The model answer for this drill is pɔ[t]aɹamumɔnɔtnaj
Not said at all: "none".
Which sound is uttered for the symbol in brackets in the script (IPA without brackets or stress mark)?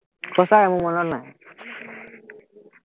s